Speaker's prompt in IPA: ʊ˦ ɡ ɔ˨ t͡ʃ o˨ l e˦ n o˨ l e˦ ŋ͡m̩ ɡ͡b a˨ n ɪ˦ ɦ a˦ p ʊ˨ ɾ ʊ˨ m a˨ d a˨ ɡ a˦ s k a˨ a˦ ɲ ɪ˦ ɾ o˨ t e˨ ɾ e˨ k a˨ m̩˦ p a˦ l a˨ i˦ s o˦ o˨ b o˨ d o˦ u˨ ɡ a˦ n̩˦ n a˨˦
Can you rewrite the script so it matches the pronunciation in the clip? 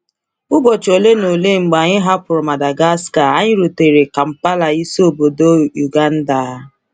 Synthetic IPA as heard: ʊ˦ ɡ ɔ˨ t͡ʃ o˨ l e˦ n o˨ l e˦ ŋ͡m̩ ɡ͡b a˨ ɲ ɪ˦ ɦ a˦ p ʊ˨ ɾ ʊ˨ m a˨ d a˨ ɡ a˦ s k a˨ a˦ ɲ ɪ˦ ɾ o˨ t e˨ ɾ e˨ k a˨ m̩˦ p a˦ l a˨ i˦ s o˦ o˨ b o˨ d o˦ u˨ ɡ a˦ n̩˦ d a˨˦

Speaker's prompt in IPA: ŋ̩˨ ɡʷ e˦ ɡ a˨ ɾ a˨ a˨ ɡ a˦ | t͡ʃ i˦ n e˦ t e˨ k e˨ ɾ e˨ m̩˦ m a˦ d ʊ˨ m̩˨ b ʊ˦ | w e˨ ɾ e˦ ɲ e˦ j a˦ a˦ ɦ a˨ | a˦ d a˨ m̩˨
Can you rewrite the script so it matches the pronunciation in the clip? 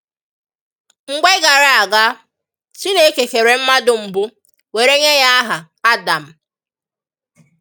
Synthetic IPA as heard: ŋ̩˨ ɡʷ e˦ ɡ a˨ ɾ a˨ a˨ ɡ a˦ | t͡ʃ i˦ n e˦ k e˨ k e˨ ɾ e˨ m̩˦ m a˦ d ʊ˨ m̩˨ b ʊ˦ | w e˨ ɾ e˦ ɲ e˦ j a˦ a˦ ɦ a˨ | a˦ d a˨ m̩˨

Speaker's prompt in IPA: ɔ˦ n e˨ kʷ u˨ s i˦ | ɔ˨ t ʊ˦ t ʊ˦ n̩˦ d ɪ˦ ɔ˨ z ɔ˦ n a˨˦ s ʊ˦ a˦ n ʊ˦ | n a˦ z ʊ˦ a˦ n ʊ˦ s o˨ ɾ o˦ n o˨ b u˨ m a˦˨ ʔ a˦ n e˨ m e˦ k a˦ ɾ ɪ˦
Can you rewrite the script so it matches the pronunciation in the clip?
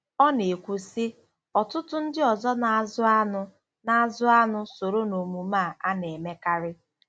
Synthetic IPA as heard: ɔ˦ n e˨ kʷ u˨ s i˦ | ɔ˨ t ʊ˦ t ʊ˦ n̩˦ d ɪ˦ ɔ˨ z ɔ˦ n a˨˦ z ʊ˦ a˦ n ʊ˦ | n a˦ z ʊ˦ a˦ n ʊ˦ s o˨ ɾ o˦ n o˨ m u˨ m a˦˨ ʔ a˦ n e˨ m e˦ k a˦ ɾ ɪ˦

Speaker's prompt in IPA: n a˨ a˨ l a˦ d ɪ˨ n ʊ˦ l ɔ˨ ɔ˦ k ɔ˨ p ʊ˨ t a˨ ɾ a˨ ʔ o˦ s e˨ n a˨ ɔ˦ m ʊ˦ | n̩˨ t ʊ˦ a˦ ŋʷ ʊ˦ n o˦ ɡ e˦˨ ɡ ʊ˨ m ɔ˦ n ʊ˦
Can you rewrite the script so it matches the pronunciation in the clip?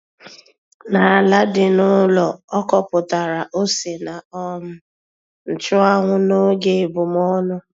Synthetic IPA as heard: n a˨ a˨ l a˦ d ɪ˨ n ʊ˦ l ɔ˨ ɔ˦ k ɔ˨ p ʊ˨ t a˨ ɾ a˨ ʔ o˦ s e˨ n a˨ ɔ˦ m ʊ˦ | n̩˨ t͡ʃ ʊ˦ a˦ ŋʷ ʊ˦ n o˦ ɡ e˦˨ b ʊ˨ m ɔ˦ n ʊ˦

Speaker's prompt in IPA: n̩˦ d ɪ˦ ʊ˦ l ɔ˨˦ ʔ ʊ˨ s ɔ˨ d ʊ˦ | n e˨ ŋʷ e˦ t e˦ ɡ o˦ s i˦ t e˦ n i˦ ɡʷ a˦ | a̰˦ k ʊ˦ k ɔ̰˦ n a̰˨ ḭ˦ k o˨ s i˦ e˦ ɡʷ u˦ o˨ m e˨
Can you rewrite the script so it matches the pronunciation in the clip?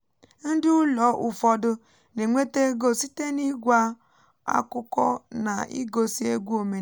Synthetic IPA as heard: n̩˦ d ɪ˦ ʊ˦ l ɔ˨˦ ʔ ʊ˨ f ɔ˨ d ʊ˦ | n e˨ ŋʷ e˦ t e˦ ɡ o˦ s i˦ t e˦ n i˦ ɡʷ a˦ | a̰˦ k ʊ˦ k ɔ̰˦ n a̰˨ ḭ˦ ɡ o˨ s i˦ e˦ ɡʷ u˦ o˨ m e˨

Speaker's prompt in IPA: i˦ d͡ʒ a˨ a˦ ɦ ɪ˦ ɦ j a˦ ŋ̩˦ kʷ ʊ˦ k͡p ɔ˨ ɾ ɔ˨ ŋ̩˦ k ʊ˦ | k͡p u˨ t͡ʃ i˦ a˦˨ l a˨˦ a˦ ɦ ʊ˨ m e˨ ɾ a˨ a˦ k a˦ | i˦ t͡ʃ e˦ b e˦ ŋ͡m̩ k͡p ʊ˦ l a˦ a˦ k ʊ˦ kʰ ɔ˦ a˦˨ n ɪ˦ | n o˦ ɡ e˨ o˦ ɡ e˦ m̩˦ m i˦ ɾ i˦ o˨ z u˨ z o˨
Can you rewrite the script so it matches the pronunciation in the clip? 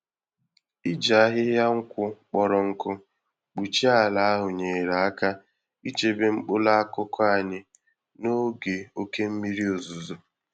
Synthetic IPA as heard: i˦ d͡ʒ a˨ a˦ ɦ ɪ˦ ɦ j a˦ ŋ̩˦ kʷ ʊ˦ k͡p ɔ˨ ɾ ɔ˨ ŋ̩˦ k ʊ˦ | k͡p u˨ t͡ʃ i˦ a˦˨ l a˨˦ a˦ ɦ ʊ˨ ɲ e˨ ɾ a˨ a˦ k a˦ | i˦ t͡ʃ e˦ b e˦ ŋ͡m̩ k͡p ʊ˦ l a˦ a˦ k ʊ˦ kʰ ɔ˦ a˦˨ ɲ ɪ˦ | n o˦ ɡ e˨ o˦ k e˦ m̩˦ m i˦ ɾ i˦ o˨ z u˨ z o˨

